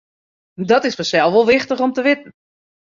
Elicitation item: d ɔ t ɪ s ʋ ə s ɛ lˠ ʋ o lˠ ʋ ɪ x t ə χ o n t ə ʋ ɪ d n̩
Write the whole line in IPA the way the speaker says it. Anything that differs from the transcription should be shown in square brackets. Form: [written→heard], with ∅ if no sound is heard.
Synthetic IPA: d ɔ t ɪ s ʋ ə s ɛ lˠ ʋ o lˠ ʋ ɪ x t ə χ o [n→m] t ə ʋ ɪ [d→t] n̩